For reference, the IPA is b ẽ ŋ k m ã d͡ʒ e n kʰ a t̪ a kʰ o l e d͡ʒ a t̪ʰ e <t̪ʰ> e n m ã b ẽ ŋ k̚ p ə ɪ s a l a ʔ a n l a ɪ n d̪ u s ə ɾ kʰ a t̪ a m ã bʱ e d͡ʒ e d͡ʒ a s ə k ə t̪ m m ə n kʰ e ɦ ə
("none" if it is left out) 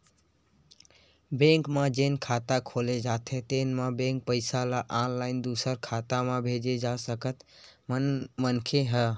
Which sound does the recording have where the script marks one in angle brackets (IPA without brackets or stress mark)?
t̪